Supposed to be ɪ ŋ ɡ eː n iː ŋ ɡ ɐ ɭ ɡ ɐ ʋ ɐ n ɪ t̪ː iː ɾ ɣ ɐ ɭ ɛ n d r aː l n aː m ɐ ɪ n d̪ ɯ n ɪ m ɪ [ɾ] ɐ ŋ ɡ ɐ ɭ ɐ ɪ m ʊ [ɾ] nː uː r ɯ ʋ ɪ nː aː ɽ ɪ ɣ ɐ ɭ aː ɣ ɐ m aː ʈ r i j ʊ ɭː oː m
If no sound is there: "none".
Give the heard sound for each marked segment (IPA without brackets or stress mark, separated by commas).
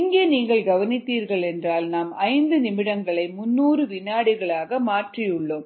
ɽ, none